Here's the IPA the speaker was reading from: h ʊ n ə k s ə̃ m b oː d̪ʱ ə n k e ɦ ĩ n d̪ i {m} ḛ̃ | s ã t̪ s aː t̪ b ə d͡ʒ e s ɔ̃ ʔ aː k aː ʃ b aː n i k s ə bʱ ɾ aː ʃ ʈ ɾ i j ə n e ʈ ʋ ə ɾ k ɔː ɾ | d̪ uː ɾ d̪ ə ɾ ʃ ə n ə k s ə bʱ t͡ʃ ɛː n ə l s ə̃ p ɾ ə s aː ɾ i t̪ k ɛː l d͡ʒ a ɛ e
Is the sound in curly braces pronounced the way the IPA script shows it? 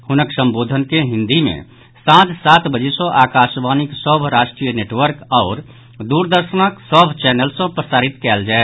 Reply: yes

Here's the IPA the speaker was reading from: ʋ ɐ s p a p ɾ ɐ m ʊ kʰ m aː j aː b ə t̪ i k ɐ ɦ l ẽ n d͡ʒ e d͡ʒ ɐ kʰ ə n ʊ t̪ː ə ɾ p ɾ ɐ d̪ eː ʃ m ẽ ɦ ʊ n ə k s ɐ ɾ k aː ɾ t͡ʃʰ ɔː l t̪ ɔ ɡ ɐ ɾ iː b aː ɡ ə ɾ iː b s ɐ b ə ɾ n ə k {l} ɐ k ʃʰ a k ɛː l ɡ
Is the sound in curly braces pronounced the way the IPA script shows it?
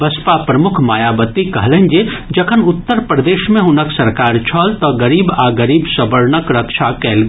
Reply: no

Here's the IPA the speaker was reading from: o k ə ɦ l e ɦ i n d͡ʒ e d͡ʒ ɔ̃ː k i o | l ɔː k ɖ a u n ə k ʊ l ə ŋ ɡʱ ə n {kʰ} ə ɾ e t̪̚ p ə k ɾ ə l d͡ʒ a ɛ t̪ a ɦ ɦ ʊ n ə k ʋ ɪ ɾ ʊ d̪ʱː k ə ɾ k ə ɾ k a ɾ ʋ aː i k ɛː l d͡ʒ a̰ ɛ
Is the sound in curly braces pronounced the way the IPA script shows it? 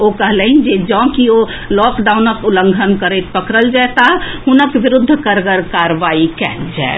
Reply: no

